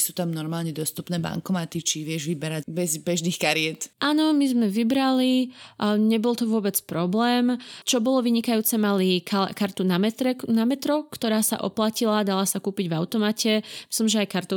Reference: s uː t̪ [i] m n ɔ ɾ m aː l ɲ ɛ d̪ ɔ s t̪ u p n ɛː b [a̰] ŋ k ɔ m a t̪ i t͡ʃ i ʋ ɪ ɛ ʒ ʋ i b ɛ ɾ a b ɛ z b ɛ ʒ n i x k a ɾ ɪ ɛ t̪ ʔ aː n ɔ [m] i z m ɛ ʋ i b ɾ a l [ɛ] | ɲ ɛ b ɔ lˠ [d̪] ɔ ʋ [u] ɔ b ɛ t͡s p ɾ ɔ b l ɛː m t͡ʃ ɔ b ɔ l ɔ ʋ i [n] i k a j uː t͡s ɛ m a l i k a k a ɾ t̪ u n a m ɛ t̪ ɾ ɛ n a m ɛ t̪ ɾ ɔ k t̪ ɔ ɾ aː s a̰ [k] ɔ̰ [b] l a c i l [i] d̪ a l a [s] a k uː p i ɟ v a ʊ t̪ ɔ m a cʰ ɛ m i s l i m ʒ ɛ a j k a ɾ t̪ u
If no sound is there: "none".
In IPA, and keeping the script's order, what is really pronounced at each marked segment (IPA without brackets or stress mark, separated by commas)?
a, a̰, m, i, t̪, ʊ, ɲ, ʔ, p, a, s